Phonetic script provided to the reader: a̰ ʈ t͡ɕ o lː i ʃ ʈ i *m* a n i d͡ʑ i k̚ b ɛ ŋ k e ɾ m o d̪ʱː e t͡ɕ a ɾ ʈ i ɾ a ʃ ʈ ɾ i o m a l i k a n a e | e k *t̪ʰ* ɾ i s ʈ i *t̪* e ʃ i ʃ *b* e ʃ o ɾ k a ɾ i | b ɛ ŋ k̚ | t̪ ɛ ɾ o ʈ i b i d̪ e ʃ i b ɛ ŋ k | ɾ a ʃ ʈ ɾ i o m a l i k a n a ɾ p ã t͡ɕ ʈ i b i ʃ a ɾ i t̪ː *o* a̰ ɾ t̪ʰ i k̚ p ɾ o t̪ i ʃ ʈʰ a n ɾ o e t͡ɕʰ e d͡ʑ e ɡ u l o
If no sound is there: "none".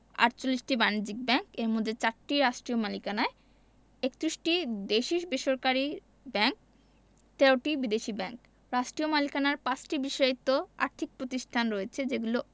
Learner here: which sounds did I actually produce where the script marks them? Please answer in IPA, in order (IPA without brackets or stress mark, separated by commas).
b, t̪, d̪, b, o